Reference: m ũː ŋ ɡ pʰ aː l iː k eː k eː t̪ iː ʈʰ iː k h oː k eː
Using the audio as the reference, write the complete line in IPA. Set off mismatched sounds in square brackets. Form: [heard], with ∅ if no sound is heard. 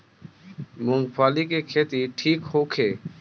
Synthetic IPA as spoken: m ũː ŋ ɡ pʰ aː l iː k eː [kʰ] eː t̪ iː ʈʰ iː k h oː [kʰ] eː